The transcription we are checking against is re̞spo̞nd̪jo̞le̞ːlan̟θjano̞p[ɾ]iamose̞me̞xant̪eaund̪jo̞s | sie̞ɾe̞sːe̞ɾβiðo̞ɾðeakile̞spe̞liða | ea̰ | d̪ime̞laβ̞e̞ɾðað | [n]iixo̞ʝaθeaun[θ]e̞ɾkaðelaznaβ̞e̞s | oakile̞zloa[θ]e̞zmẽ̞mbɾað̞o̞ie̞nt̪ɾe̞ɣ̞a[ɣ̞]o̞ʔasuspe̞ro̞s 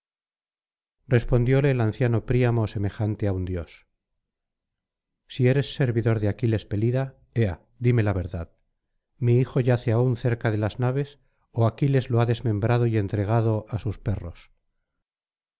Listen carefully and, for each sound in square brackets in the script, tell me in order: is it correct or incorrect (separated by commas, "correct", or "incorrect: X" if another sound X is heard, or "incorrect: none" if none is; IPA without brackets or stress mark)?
correct, incorrect: m, correct, incorrect: ð, incorrect: ð̞